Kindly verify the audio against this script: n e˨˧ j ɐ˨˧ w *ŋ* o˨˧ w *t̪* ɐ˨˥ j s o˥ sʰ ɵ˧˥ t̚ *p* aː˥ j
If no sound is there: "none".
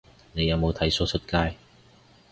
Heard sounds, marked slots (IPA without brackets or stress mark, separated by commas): m, t̪ʰ, k